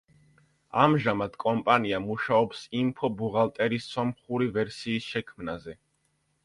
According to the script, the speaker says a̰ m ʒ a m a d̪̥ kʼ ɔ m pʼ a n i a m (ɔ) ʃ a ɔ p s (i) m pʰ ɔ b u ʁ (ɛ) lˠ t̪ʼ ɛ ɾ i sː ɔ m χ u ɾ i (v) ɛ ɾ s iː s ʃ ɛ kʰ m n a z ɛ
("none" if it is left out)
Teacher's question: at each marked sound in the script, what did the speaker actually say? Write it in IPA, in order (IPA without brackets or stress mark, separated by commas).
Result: u, i, a, v